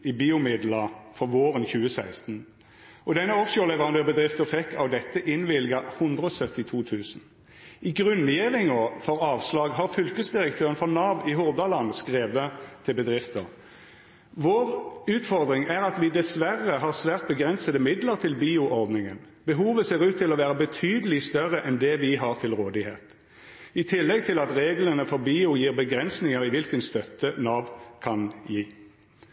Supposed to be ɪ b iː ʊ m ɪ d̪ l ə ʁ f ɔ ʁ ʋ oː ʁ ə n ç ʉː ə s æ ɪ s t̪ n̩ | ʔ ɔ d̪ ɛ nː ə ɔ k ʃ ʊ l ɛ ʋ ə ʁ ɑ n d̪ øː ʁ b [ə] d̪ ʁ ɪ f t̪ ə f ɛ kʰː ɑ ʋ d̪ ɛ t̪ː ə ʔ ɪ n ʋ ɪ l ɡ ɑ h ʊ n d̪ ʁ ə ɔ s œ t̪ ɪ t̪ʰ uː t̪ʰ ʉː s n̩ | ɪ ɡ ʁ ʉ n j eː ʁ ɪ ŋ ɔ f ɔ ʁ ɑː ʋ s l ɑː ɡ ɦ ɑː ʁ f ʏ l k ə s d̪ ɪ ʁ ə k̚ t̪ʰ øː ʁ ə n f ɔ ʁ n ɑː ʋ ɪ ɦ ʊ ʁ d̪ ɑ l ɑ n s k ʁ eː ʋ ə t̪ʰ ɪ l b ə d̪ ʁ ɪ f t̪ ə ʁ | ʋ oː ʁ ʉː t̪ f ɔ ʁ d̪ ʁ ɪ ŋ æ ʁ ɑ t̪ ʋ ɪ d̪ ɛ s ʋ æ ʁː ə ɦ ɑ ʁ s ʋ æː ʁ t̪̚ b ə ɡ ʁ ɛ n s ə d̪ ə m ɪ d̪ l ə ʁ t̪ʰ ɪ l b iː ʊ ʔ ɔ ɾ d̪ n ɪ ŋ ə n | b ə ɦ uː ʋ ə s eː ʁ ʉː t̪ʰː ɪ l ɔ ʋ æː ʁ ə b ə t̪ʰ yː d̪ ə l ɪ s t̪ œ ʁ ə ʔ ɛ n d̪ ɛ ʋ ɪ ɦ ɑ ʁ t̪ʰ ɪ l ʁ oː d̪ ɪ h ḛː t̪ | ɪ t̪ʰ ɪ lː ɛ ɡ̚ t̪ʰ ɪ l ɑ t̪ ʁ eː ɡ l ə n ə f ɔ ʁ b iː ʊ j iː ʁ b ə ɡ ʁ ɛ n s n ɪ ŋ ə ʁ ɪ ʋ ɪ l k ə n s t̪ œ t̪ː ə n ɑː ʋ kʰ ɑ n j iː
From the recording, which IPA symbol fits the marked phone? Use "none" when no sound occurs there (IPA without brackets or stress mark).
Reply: ə